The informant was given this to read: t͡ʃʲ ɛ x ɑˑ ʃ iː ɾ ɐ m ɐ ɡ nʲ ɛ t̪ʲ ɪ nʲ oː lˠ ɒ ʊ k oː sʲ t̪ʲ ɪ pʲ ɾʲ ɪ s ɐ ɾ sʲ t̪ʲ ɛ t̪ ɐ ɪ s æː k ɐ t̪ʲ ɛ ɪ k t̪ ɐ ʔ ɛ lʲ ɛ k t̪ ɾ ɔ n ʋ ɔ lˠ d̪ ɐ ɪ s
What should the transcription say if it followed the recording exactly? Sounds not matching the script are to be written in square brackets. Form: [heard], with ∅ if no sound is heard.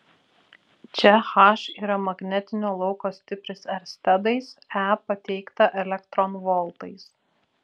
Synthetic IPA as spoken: t͡ʃʲ ɛ x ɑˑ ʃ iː ɾ ɐ m ɐ ɡ nʲ ɛ t̪ʲ ɪ nʲ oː lˠ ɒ ʊ k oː sʲ t̪ʲ ɪ pʲ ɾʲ ɪ s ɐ ɾ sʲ t̪ʲ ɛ [d̪] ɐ ɪ s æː [p] ɐ t̪ʲ ɛ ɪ k t̪ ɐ ʔ ɛ lʲ ɛ k t̪ ɾ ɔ n ʋ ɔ lˠ [t̪] ɐ ɪ s